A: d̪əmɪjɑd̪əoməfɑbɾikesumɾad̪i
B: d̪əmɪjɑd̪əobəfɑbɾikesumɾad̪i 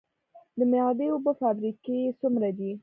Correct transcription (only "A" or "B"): B